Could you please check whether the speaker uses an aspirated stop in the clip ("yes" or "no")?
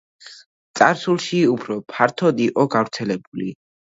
yes